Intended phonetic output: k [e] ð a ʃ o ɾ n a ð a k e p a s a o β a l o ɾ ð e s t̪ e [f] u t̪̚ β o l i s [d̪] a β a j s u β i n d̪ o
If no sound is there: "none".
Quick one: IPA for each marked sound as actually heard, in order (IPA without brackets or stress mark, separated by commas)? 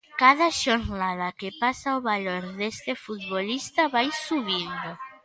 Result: a, f, t̪